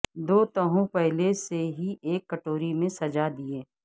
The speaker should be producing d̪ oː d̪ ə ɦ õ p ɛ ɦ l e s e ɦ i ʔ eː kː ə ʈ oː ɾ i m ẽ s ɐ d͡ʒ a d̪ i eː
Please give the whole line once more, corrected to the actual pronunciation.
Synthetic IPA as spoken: d̪ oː t̪ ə ɦ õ p ɛ ɦ l e s e ɦ i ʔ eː kː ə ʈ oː ɾ i m ẽ s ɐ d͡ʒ a d̪ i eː